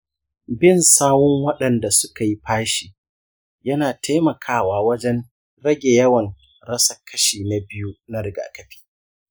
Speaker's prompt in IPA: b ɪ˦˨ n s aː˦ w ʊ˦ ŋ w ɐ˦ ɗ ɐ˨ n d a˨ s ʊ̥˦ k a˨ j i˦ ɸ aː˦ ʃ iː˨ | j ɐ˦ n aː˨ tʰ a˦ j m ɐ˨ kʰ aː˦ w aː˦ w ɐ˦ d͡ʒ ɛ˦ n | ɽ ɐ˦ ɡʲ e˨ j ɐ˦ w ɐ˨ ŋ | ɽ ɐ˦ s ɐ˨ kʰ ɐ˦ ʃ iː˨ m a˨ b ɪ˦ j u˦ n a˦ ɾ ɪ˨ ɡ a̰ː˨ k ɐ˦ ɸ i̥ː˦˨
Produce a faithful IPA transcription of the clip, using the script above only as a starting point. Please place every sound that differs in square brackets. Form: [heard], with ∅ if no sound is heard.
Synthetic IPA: b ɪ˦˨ n s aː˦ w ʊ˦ ŋ w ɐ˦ ɗ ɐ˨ n d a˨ s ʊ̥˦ k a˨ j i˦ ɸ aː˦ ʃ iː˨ | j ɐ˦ n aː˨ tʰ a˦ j m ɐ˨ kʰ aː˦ w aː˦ w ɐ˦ d͡ʒ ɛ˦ n | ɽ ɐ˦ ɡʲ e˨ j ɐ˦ w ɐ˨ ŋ | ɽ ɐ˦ s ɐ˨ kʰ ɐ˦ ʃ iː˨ [n] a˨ b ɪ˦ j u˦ n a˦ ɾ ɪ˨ ɡ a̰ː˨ k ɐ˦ ɸ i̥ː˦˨